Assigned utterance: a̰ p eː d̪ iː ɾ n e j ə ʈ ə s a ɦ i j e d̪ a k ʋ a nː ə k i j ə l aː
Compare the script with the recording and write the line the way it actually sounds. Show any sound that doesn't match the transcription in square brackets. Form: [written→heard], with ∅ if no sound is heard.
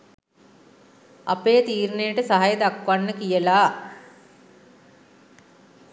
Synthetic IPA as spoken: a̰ p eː [d̪→t̪] iː ɾ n e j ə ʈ ə s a ɦ [i→a] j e d̪ a k ʋ a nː ə k i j ə l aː